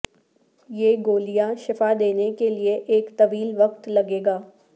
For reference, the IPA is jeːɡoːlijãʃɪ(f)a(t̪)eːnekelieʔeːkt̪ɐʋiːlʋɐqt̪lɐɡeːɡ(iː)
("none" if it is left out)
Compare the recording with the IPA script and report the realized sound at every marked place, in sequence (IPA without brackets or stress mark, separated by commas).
f, d̪, aː